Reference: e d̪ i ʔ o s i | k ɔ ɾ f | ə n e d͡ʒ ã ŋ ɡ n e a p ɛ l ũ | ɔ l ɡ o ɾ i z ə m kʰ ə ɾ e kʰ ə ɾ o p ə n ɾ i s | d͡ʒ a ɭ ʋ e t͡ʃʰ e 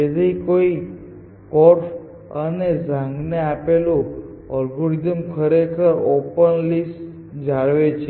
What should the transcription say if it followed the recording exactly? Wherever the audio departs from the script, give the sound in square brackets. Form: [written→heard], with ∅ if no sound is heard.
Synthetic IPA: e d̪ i [ʔ→k] o [s→∅] i | k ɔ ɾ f | ə n e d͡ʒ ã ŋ ɡ n e a p [ɛ→e] l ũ | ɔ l ɡ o ɾ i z ə m kʰ ə ɾ e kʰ ə ɾ o p ə n [ɾ→l] i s | d͡ʒ a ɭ ʋ e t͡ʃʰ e

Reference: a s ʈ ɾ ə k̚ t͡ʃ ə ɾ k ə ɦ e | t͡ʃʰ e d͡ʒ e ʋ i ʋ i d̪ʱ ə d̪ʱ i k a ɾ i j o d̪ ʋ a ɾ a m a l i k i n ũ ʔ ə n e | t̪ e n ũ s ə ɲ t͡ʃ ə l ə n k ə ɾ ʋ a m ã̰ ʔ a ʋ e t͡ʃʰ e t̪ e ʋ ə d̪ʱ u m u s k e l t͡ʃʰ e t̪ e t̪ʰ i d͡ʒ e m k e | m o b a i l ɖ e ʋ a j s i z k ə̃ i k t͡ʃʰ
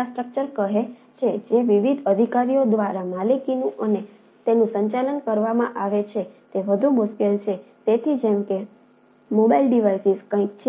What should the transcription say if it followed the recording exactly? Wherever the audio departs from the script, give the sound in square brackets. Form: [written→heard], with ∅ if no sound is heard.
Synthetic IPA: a s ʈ ɾ ə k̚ t͡ʃ ə ɾ k ə ɦ e | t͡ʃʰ e d͡ʒ e ʋ i ʋ i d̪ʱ ə d̪ʱ i k a ɾ i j o d̪ ʋ a ɾ a m a l i k i n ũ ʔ ə n e | t̪ e n ũ s ə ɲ t͡ʃ [ə→a] l ə n k ə ɾ ʋ a m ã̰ ʔ a ʋ e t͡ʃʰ e t̪ e ʋ ə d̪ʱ u m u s k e l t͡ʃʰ e t̪ e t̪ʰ i d͡ʒ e m k e | m o b a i l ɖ [e→i] ʋ a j s i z k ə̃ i k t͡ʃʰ

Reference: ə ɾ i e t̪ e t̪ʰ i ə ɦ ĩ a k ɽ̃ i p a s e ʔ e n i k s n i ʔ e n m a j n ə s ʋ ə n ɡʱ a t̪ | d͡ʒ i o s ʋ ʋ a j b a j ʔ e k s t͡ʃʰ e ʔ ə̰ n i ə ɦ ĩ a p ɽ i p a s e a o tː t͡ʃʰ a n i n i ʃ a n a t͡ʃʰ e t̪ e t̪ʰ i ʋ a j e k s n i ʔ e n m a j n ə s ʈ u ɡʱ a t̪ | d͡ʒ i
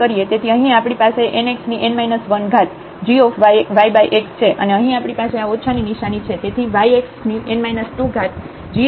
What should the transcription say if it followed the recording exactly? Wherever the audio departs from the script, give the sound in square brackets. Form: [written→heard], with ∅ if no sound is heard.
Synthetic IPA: ə ɾ i e t̪ e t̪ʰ i ə ɦ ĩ a [k→p] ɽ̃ i p a s e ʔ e n [i→e] k s n i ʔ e n m a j n ə s ʋ ə n ɡʱ a t̪ | d͡ʒ i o [s→f] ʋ ʋ a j b a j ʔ e k s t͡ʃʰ e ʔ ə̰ n [i→e] ə ɦ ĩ a p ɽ i p a s e a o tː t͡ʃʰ a n i n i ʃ a n [a→i] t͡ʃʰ e t̪ e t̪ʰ i ʋ a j e k s n i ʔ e n m a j n ə s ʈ u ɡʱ a t̪ | d͡ʒ i

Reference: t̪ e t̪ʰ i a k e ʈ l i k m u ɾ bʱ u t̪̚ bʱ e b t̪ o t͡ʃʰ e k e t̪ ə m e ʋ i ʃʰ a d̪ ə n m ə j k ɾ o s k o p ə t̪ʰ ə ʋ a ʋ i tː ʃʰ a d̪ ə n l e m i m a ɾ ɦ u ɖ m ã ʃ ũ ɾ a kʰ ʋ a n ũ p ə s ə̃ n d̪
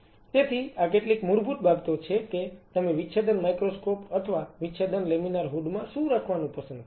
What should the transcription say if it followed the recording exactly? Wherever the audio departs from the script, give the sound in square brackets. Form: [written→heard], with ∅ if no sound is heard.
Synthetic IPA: t̪ e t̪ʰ i a k e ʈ l i k m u ɾ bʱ u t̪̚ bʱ [e→a] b t̪ o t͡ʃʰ e k e t̪ ə m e ʋ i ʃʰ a d̪ ə n m [ə→a] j k ɾ o s k o p ə t̪ʰ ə ʋ a ʋ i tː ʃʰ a d̪ ə n l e m i [m→n] a ɾ ɦ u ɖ m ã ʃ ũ ɾ a kʰ ʋ a n ũ p ə s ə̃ n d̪

